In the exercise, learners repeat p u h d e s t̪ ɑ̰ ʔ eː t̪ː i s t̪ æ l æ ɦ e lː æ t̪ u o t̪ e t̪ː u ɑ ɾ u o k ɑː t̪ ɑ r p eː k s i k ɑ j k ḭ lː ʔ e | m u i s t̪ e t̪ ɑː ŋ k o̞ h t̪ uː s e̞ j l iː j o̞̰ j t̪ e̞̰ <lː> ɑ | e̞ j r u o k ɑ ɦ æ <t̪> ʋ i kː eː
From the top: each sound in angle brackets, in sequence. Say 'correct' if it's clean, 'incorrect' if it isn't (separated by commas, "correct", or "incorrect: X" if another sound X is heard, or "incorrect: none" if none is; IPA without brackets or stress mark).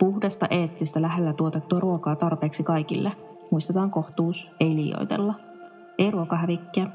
correct, incorrect: none